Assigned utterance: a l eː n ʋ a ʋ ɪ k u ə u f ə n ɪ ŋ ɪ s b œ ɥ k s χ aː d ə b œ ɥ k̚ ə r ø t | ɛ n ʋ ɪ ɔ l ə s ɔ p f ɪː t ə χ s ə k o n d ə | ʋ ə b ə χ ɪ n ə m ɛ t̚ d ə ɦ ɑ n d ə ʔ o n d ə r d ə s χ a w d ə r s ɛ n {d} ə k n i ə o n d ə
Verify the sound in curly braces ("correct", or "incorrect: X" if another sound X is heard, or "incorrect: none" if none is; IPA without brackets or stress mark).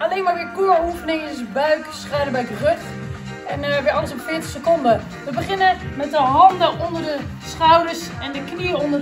correct